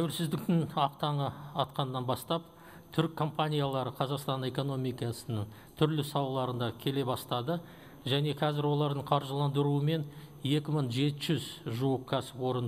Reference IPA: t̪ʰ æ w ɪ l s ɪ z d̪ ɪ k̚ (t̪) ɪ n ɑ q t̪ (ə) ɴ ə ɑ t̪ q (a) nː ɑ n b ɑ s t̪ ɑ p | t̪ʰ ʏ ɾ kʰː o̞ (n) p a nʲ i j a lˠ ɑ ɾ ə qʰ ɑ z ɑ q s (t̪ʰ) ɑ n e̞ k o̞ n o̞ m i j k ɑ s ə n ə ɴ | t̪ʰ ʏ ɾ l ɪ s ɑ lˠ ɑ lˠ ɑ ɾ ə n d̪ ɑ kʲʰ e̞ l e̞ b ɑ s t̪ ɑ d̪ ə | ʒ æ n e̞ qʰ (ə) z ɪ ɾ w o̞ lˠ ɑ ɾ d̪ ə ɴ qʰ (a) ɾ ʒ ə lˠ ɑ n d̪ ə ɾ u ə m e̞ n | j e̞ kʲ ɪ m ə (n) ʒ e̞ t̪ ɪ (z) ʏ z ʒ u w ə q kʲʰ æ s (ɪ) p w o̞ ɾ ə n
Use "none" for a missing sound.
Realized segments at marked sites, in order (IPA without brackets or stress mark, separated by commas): t̪, ɑ, ɑ, m, t̪, ɑ, ɑ, ɴ, ʒ, ɪ